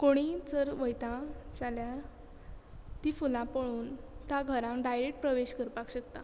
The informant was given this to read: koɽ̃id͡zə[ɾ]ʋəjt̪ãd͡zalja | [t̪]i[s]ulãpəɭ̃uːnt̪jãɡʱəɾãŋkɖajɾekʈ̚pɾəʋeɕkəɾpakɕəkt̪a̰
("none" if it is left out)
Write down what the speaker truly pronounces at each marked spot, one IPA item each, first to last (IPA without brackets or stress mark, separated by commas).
ɾ, t̪, f